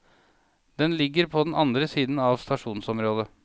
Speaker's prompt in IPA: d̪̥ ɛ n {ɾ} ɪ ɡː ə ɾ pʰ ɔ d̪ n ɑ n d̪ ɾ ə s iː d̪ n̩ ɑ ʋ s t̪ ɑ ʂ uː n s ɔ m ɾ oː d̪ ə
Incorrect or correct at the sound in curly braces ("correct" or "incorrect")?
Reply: incorrect